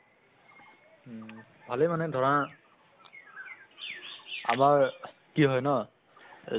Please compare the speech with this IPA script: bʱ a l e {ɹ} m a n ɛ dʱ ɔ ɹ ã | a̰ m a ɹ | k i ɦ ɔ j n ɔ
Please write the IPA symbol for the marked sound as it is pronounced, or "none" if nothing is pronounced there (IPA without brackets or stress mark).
none